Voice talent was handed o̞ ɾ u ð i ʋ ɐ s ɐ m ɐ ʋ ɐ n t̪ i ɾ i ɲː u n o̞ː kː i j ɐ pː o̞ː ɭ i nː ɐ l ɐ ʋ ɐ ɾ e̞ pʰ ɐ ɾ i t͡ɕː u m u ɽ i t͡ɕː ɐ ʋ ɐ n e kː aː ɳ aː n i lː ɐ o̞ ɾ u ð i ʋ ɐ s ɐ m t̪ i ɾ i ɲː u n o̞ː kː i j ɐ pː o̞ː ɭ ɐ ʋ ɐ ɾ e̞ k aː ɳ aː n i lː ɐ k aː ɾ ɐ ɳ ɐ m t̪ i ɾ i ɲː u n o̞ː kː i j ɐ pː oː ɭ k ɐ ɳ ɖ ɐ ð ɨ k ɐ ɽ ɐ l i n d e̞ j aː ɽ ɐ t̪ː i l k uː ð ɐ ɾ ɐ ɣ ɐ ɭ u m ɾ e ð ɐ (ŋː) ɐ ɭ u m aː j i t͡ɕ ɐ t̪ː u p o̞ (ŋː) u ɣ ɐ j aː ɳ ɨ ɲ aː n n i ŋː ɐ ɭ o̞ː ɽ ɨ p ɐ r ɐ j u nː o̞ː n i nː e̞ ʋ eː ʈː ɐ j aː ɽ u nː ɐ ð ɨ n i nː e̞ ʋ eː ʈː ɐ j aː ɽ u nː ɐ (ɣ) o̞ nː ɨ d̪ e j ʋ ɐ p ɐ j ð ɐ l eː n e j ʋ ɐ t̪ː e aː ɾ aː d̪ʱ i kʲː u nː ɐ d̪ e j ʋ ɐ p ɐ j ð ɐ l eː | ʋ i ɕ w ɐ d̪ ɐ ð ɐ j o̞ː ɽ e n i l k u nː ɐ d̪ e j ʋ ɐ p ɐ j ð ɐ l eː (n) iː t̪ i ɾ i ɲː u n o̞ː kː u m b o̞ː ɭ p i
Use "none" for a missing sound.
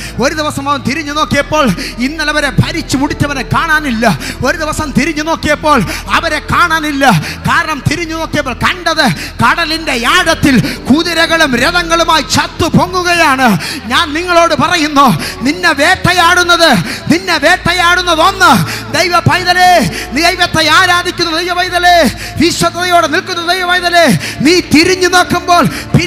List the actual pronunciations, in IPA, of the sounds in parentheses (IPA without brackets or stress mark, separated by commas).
ŋː, ŋː, ð, n